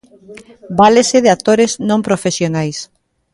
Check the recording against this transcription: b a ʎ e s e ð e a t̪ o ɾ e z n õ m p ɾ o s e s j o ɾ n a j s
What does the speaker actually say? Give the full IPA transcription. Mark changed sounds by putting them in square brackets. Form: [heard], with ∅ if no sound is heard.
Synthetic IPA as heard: b a [l] e s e ð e a t̪ o ɾ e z n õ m p ɾ o [f] e s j o [∅] n a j s